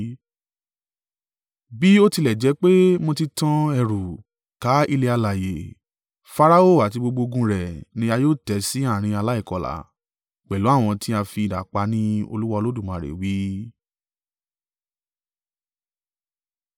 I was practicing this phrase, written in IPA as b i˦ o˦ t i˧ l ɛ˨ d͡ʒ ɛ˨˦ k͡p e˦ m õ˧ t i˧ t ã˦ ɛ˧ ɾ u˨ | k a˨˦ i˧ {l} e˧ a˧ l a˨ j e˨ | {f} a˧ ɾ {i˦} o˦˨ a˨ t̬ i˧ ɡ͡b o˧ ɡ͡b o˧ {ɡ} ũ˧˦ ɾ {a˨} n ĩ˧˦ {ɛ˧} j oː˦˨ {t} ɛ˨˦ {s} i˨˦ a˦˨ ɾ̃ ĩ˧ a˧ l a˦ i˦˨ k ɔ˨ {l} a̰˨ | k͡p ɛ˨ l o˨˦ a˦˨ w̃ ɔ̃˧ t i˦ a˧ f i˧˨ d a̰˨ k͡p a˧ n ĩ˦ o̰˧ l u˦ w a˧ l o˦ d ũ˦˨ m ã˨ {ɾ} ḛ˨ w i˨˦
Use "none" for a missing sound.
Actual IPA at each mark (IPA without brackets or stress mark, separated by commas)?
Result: l, f, a˦, ɡ, ɛ˨, a˧, t, s, l, ɾ